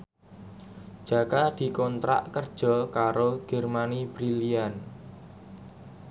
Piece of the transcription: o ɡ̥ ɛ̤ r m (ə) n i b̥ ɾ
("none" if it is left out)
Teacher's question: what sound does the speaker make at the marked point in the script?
a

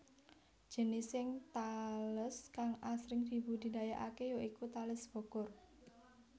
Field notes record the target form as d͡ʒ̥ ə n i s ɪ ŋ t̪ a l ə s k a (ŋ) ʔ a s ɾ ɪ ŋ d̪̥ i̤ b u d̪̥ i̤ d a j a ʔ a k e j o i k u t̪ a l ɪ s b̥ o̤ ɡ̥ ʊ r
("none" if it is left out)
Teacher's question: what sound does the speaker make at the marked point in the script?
ŋ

